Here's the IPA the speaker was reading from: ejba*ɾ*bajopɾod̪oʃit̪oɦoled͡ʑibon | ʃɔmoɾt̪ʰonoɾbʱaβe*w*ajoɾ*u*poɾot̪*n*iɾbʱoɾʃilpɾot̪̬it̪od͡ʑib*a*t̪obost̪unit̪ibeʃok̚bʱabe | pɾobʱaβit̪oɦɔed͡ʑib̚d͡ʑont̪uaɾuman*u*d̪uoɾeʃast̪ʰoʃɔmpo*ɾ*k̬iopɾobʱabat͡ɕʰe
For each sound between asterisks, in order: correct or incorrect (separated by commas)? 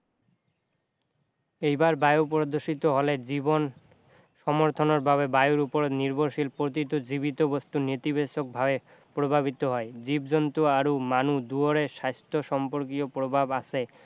correct, incorrect, correct, correct, incorrect, correct, correct